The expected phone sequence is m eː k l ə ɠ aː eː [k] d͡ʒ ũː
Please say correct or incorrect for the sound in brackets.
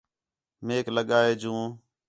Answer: incorrect